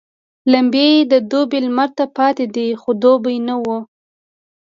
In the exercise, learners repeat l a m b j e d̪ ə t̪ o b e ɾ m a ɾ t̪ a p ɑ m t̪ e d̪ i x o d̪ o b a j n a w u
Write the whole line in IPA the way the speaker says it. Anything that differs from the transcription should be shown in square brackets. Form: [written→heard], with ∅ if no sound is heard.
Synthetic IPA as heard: l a m b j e d̪ ə [t̪→d̪] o b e [ɾ→l] m a ɾ t̪ a p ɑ [m→∅] t̪ e d̪ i x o d̪ o b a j n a w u